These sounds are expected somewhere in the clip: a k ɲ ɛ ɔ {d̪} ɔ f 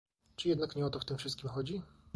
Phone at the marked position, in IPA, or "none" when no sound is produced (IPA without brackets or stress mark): t̪